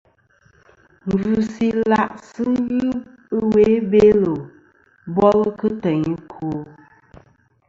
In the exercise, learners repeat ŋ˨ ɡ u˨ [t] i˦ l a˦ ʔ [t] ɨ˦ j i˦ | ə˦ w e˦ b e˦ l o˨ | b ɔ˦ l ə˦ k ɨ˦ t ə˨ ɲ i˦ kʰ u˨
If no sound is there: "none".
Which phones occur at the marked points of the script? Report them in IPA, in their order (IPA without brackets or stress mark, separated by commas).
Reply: s, s